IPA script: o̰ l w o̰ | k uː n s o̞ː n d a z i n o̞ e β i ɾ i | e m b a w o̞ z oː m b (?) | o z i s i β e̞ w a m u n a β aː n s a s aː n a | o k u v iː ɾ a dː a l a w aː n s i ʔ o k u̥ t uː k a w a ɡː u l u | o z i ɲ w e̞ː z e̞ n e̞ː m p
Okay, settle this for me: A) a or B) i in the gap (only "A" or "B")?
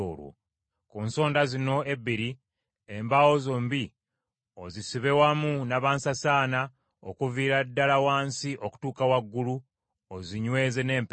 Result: B